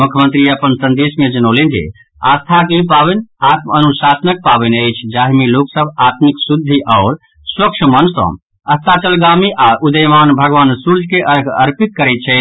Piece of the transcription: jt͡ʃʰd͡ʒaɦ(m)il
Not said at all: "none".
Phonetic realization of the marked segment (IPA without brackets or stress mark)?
m